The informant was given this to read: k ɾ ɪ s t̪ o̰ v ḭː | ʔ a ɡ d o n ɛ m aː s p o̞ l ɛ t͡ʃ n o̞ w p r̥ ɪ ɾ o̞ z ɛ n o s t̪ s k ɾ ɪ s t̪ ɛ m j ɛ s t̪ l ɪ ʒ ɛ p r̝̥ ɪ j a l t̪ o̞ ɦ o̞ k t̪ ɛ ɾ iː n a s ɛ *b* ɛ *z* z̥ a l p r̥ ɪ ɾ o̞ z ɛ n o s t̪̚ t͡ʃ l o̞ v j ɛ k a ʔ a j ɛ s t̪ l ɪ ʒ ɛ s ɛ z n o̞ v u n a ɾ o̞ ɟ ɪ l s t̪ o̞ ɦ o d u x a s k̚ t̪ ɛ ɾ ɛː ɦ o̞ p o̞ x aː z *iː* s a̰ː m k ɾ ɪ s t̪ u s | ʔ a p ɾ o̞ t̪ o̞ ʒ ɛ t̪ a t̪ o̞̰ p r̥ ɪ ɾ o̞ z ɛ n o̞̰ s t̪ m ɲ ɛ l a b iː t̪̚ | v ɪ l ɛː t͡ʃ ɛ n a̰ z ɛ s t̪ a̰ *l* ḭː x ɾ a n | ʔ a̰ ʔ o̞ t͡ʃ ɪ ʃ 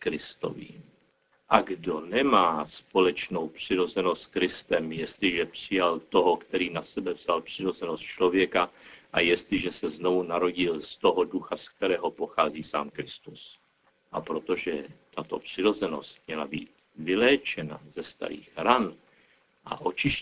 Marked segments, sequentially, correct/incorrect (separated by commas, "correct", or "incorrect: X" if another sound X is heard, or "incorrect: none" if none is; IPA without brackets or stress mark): correct, incorrect: v, correct, incorrect: ɾ